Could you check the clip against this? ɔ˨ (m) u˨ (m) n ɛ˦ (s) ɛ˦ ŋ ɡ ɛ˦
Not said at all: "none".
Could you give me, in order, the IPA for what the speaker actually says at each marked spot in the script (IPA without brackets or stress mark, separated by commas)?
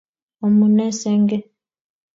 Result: m, none, s